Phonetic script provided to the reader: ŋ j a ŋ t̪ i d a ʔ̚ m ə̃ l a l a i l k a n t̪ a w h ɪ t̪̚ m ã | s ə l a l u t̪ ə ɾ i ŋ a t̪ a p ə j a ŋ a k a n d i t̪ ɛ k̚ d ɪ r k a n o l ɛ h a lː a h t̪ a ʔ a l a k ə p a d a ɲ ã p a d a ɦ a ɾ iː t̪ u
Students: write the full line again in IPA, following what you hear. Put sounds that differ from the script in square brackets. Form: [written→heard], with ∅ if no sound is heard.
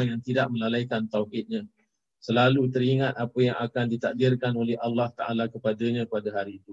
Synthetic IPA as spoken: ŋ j a ŋ t̪ i d a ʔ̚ m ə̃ l a l a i [l→∅] k a n t̪ a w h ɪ t̪̚ [m→ɲ] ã | s ə l a l u t̪ ə ɾ i ŋ a t̪ a p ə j a ŋ a k a n d i t̪ [ɛ→a] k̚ d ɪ r k a n o l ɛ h a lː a h t̪ a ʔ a l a k ə p a d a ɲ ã p a d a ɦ a ɾ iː t̪ u